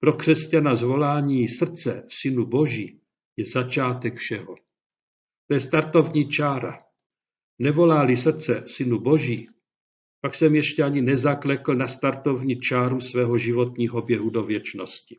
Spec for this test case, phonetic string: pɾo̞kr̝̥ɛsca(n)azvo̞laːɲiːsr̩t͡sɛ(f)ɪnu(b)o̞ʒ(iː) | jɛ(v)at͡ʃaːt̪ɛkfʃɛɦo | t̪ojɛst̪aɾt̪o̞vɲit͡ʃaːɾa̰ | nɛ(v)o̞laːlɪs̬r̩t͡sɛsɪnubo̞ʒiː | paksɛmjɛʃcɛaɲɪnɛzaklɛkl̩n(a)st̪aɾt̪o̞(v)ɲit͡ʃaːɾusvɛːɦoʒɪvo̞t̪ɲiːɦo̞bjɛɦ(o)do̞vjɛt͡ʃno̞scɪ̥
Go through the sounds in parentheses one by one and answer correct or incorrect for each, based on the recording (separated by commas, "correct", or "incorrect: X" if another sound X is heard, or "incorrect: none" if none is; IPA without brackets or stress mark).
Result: correct, incorrect: s, correct, correct, incorrect: z, correct, correct, correct, incorrect: u